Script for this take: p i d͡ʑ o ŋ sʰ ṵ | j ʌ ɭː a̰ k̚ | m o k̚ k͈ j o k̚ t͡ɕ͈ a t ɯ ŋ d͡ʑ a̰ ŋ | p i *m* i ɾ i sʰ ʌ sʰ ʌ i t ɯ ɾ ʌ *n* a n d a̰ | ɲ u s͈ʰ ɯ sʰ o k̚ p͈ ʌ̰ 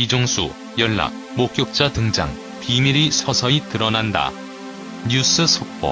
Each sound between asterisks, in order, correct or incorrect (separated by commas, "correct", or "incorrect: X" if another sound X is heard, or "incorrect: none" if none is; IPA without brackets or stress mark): correct, correct